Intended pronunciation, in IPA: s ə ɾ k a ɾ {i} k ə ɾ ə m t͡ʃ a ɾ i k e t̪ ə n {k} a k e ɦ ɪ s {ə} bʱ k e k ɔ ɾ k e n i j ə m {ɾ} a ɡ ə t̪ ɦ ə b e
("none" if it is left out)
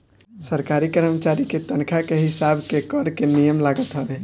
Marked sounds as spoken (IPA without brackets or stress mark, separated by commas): i, kʰ, a, l